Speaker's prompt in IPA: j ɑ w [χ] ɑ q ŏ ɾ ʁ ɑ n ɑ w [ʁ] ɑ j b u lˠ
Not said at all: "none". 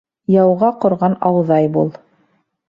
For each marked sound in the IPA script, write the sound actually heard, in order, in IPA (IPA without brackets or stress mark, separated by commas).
ʁ, ð